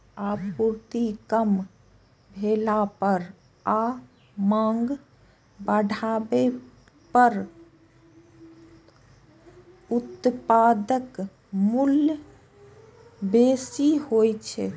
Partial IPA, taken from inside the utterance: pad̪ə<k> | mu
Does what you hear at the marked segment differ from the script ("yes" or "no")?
no